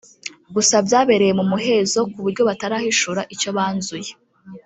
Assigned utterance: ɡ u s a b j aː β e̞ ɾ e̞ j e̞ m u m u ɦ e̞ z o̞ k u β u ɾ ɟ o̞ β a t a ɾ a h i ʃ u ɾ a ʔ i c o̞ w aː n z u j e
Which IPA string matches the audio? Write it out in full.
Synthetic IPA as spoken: ɡ u s a b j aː β e̞ ɾ e̞ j e̞ m u m u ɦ e̞ z o̞ k u β u ɾ ɟ o̞ β a t a ɾ a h i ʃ u ɾ a ʔ i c o̞ β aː n z u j e

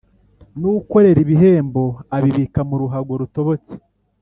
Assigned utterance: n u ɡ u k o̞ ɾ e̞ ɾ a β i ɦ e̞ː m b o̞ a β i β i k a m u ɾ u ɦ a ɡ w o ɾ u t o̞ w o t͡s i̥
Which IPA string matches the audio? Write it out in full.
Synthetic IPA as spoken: n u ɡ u k o̞ ɾ e̞ ɾ i β i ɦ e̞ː m b o̞ a β i β i k a m u ɾ u ɦ a ɡ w o ɾ u t o̞ β o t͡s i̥

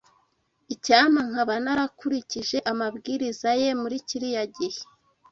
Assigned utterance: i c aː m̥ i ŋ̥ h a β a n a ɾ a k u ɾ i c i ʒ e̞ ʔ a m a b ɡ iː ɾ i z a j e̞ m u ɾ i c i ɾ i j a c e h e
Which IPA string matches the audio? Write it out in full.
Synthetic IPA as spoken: i c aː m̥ a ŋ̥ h a β a n a ɾ a k u ɾ i c i ʒ e̞ ʔ a m a b ɡ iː ɾ i z a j e̞ m u ɾ i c i ɾ i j a ɟ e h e

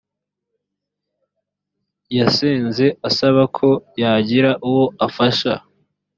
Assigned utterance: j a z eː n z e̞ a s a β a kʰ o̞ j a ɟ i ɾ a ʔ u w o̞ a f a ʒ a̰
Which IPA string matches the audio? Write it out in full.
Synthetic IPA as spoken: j a s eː n z e̞ a s a β a kʰ o̞ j a ɟ i ɾ a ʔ u w o̞ a f a ʃ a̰

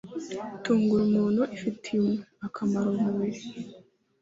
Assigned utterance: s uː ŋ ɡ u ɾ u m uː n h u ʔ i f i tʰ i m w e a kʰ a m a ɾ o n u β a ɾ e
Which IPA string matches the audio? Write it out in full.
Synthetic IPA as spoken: t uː ŋ ɡ u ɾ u m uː n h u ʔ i f i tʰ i m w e a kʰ a m a ɾ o m u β i ɾ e

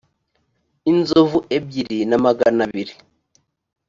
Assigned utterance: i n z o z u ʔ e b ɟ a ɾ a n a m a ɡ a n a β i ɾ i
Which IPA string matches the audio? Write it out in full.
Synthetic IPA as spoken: i n z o v u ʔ e b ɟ i ɾ i n a m a ɡ a n a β i ɾ i

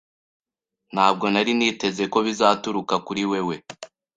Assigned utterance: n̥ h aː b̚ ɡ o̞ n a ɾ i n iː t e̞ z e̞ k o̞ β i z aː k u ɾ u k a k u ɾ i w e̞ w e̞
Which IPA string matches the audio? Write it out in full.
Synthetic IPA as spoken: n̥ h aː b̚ ɡ o̞ n a ɾ i n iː t e̞ z e̞ k o̞ β i z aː t u ɾ u k a k u ɾ i w e̞ w e̞

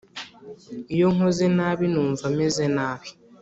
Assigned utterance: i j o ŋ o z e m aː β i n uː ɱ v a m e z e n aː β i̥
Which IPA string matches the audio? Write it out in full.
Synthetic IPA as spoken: i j o ŋ o z e n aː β i n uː ɱ v a m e z e n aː β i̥

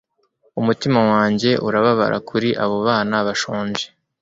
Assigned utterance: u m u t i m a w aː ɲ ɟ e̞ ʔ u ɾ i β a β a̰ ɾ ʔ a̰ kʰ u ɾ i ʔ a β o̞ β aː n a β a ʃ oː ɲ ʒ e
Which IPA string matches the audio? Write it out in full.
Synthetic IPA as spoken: u m u t i m a w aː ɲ ɟ e̞ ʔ u ɾ a β a β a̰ ɾ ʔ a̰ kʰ u ɾ i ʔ a β o̞ β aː n a β a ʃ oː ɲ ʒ e

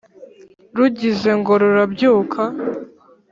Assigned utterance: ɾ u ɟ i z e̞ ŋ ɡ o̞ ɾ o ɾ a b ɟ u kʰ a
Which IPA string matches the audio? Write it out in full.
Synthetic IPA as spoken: ɾ u ɟ i z e̞ ŋ ɡ o̞ ɾ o ɾ a b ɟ uː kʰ a

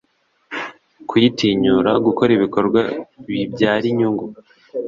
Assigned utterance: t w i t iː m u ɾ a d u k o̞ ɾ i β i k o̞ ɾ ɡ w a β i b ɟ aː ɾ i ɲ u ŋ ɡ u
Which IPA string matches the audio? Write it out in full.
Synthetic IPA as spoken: k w i t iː ɲ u ɾ a ɡ u k o̞ ɾ i β i k o̞ ɾ ɡ w a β i b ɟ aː ɾ i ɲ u ŋ ɡ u

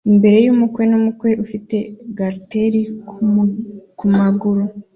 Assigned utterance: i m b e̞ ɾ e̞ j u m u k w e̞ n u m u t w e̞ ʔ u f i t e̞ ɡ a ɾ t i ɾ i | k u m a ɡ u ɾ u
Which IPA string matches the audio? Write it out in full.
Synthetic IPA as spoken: i m b e̞ ɾ e̞ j u m u k w e̞ n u m u k w e̞ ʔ u f i t e̞ ɡ a ɾ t e ɾ i | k u m a ɡ u ɾ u

